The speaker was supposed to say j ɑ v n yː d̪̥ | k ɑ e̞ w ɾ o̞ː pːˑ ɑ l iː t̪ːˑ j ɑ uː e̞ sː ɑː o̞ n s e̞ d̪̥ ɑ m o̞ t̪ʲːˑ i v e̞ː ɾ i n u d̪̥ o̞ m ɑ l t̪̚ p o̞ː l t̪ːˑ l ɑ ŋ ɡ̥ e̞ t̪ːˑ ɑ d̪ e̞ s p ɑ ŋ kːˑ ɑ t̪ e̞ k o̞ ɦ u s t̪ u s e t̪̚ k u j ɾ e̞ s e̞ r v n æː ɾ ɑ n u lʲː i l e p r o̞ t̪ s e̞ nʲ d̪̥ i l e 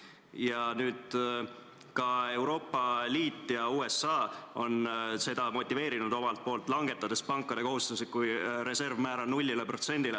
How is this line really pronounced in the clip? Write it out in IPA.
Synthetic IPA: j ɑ n yː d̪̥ | k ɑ e̞ w ɾ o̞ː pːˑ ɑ l iː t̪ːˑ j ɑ uː e̞ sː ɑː o̞ n s e̞ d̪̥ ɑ m o̞ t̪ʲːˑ i v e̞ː ɾ i n u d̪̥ o̞ m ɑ l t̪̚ p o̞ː l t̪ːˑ l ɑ ŋ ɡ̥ e̞ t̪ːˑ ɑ d̪ e̞ s p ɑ ŋ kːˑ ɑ d̪ e̞ k o̞ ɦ u s t̪ u s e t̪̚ k u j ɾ e̞ s e̞ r v m æː ɾ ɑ n u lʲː i l e p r o̞ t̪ s e̞ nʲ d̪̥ i l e